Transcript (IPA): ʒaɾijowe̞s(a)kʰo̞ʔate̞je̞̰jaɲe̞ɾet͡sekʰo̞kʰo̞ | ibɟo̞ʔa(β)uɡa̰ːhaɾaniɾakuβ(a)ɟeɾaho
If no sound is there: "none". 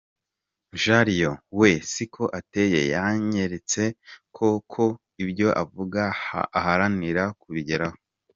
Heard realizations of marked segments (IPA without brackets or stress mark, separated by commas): i, v, i